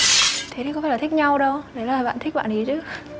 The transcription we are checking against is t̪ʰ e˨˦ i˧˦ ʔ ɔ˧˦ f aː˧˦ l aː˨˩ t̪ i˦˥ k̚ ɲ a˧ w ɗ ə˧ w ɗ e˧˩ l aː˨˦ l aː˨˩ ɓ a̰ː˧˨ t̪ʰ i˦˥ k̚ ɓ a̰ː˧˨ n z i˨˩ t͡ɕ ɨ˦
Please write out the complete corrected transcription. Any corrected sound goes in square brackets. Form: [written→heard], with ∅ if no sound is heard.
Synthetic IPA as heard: t̪ʰ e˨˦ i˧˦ [ʔ→k] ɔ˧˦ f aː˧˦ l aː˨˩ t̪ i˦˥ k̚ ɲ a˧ w ɗ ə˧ w ɗ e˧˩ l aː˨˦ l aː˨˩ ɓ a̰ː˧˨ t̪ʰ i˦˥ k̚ ɓ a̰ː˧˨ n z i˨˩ t͡ɕ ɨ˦